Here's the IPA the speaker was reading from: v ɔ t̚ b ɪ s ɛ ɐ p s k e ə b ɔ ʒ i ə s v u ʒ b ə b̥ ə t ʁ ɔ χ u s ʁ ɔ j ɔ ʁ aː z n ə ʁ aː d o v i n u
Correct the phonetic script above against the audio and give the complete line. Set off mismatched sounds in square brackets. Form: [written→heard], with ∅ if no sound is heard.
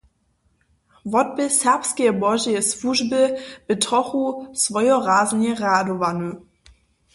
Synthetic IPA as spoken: v ɔ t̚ b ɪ s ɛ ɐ p s k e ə b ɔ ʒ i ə s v u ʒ b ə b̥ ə t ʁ ɔ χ u s [ʁ→v] ɔ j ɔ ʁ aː z n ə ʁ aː d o v [i→a] n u